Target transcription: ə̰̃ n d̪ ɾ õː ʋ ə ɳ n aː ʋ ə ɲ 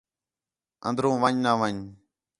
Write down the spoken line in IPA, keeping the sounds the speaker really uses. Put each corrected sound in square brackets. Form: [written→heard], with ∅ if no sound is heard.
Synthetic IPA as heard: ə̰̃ n d̪ ɾ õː ʋ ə [ɳ→ɲ] n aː ʋ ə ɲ